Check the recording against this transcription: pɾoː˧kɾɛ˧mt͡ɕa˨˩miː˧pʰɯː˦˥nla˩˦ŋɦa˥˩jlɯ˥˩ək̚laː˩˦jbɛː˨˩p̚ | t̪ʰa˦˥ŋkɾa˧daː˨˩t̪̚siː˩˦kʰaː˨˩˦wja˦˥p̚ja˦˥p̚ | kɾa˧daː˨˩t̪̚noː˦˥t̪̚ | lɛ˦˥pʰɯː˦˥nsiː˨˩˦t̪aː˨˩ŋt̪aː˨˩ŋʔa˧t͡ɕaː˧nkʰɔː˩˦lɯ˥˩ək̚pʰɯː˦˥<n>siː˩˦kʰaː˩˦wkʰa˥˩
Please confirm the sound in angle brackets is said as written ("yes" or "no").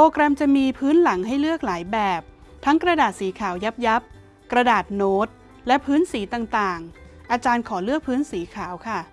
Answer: yes